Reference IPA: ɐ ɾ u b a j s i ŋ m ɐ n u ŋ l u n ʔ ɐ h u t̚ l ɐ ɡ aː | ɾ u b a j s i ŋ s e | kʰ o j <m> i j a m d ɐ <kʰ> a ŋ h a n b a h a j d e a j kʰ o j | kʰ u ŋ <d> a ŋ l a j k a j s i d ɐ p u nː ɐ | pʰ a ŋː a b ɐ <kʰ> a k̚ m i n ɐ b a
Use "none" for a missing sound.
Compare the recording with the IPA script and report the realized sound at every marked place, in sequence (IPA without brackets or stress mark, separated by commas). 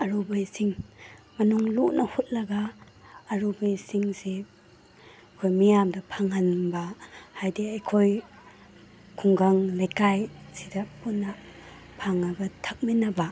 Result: m, pʰ, ɡ, tʰ